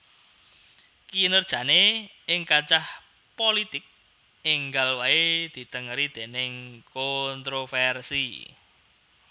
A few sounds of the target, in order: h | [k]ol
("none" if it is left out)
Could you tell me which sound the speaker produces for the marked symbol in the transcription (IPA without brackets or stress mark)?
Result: p